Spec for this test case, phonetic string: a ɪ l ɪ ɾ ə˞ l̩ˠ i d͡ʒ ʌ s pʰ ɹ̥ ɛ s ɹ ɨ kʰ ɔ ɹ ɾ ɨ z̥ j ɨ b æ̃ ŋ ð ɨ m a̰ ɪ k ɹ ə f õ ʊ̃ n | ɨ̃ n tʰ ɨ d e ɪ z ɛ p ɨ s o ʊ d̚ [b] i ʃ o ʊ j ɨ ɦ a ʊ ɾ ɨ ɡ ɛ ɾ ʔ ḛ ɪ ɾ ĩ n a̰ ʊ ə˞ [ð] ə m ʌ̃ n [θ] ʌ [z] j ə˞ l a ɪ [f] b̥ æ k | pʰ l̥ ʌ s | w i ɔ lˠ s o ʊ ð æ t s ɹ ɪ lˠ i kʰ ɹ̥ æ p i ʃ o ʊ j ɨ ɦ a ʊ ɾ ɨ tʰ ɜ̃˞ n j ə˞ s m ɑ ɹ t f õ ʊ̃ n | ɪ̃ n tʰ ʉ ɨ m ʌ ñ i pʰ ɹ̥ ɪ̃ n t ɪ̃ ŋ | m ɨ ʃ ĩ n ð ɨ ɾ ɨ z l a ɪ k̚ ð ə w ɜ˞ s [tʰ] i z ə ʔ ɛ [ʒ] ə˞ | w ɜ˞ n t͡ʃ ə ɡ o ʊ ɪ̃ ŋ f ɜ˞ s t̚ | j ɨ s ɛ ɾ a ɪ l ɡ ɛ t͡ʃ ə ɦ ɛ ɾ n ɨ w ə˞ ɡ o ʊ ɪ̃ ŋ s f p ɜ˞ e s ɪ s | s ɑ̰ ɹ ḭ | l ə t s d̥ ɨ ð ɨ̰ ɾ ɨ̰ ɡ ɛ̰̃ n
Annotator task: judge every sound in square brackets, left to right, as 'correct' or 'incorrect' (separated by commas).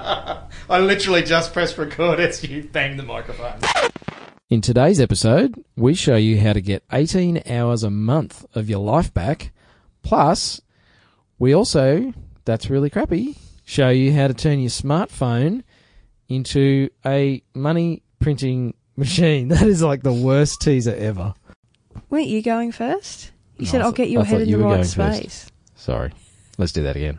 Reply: incorrect, incorrect, correct, incorrect, correct, correct, incorrect